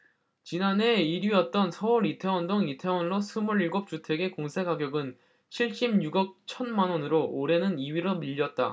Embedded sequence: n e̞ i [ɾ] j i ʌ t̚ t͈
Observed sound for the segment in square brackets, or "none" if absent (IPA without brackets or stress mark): ɾ